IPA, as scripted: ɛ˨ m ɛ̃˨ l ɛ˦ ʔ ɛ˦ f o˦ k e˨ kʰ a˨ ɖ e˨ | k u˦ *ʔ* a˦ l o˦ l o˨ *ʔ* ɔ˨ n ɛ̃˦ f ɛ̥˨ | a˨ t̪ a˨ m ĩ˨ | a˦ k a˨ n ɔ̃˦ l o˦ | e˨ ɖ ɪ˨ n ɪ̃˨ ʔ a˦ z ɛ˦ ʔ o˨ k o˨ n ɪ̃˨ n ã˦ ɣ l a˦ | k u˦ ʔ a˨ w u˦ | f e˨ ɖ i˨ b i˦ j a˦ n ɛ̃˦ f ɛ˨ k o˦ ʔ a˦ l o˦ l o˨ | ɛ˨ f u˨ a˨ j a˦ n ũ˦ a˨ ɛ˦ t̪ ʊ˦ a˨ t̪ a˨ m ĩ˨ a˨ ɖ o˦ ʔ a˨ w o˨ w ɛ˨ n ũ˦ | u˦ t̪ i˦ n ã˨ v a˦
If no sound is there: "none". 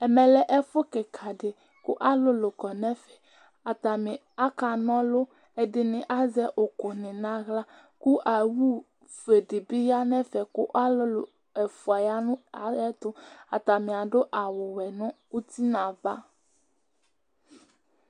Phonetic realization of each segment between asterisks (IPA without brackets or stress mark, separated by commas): ʔ, k